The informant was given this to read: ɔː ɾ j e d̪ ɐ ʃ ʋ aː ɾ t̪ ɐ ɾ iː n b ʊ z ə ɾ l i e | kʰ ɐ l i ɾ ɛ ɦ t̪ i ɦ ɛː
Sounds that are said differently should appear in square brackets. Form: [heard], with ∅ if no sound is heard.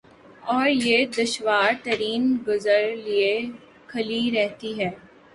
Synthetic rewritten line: ɔː ɾ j e d̪ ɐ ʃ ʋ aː ɾ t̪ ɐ ɾ iː n [ɡ] ʊ z ə ɾ l i e | kʰ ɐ l i ɾ ɛ ɦ t̪ i ɦ ɛː